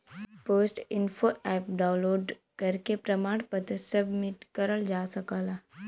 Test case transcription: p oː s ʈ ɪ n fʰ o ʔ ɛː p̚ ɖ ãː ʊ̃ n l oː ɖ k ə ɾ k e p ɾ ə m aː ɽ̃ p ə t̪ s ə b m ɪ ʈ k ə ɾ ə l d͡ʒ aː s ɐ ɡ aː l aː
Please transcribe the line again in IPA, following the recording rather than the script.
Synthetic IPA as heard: p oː s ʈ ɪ n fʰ o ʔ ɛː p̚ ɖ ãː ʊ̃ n l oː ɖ k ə ɾ k e p ɾ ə m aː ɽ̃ p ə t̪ s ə b m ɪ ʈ k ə ɾ ə l d͡ʒ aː s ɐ k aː l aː

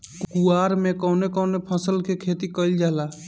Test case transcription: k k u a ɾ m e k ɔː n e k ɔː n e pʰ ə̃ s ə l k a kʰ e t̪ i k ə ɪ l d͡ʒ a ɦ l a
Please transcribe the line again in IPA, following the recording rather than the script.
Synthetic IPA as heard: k k u a ɾ m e k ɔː n e k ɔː n e pʰ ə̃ s ə l k e kʰ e t̪ i k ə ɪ l d͡ʒ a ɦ l a

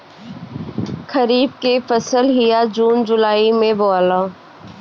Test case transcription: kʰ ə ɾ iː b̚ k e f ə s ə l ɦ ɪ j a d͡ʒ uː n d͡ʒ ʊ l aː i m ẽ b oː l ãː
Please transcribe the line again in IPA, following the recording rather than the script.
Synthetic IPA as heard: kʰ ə ɾ iː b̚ k e f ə s ə l ɦ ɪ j a d͡ʒ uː n d͡ʒ ʊ l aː i m ẽ b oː l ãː

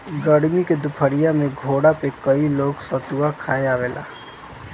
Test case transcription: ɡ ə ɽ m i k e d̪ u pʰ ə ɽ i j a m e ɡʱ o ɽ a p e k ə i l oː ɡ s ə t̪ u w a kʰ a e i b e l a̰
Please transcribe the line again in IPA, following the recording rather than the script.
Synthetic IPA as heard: ɡ ə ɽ m i k e d̪ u pʰ ə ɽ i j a m e ɡʱ o ɽ a p e k ə i l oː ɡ s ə t̪ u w a kʰ a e a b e l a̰

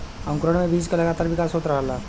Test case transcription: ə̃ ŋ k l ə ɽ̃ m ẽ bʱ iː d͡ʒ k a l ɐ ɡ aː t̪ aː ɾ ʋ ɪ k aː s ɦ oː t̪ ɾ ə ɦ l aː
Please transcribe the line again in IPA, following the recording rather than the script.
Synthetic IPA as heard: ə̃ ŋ k ɾ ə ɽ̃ m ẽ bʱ iː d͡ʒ k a l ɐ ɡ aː t̪ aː ɾ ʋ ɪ k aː s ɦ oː t̪ ɾ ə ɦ l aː

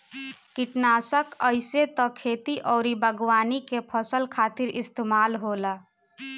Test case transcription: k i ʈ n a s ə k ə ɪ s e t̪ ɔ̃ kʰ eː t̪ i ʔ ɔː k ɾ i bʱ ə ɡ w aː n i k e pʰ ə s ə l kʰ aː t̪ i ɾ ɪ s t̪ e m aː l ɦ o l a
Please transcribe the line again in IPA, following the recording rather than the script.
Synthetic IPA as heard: k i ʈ n a s ə k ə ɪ s e t̪ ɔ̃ kʰ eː t̪ i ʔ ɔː ɾ i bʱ ə ɡ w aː n i k e pʰ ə s ə l kʰ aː t̪ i ɾ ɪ s t̪ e m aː l ɦ o l a

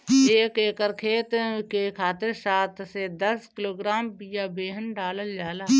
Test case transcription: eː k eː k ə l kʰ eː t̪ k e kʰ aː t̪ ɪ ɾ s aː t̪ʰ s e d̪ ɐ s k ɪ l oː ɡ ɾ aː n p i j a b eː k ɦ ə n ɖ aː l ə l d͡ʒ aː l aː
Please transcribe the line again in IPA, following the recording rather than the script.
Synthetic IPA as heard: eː k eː k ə ɾ kʰ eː t̪ k e kʰ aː t̪ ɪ ɾ s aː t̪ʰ s e d̪ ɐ s k ɪ l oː ɡ ɾ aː m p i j a b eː ɦ ə n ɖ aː l ə l d͡ʒ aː l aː

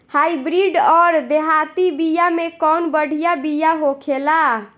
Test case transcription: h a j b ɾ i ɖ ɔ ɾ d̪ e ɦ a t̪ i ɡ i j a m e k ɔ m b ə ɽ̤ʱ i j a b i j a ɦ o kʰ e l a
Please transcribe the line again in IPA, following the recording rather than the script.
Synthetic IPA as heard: h a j b ɾ i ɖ ɔ ɾ d̪ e ɦ a t̪ i b i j a m e k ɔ n b ə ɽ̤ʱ i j a b i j a ɦ o kʰ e l a

